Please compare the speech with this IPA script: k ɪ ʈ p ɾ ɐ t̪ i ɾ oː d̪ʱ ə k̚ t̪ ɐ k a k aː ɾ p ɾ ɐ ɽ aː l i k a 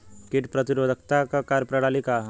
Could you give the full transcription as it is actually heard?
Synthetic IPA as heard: k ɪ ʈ p ɾ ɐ t̪ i ɾ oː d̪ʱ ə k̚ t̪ a k a k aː ɾ p ɾ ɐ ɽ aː l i k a